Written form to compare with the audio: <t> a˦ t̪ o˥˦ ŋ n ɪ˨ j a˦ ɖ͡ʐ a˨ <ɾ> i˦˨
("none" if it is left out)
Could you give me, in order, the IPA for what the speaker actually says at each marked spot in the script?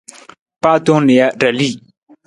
p, l

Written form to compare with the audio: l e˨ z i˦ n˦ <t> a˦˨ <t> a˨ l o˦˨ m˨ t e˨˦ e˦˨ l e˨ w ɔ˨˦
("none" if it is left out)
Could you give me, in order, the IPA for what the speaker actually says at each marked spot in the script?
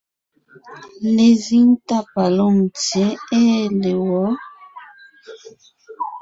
t, p

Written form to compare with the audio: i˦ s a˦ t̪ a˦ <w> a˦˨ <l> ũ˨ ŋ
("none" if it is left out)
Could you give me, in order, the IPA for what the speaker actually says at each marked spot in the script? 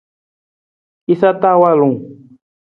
w, l

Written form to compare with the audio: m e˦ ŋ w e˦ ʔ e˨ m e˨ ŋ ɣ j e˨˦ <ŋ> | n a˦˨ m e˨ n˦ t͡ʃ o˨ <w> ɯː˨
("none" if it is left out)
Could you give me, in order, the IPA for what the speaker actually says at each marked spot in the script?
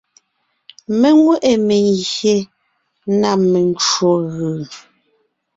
none, ɣ

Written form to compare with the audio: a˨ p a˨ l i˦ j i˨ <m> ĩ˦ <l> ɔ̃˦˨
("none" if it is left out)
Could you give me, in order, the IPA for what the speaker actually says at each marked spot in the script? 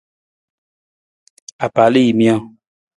m, none

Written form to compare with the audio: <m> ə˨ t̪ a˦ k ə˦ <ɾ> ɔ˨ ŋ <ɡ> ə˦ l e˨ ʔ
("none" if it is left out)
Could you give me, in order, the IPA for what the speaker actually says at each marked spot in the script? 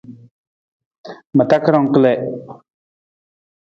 m, ɾ, k

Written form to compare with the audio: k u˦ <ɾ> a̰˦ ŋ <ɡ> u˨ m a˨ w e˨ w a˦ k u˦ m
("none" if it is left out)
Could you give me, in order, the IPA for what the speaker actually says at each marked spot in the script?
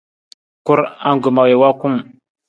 ɾ, ɡ

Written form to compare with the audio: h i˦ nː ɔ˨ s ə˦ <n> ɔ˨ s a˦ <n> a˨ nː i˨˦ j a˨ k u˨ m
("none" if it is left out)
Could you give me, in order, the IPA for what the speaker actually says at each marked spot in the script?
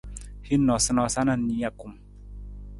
n, n

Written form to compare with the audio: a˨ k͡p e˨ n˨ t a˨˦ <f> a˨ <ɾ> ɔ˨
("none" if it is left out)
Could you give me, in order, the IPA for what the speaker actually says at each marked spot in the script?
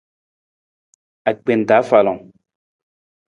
f, l

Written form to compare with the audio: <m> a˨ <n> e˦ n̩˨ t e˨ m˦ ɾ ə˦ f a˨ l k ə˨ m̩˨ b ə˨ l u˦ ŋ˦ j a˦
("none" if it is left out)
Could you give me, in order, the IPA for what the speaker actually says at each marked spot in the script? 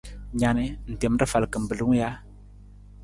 ɲ, n

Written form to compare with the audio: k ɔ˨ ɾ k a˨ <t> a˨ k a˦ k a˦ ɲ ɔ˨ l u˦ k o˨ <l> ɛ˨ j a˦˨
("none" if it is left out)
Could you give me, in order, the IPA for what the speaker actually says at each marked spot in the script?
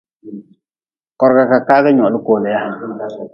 k, l

